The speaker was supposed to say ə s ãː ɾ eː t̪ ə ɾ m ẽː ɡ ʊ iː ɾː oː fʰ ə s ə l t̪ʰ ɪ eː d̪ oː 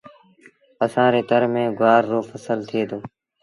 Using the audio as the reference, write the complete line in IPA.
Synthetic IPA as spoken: ə s ãː ɾ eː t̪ ə ɾ m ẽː ɡ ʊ aː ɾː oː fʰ ə s ə l t̪ʰ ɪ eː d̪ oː